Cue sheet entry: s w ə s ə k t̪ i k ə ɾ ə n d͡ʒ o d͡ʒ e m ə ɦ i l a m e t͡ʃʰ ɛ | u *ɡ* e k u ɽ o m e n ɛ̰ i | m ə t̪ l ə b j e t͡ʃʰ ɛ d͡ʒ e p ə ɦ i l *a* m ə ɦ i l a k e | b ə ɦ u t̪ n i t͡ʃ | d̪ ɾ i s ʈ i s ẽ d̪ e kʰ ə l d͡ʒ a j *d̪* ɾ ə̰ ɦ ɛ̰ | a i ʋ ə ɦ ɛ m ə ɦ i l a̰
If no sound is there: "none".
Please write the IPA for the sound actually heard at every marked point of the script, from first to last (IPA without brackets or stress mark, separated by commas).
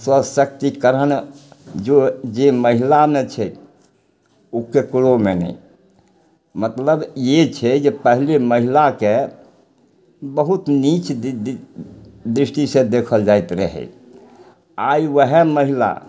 k, e, t̪